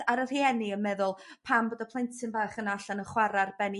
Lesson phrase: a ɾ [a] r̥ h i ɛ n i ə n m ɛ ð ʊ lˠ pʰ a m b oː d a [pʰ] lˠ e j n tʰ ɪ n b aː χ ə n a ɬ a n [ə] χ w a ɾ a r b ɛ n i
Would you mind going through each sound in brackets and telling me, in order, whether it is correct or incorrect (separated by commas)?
incorrect, correct, correct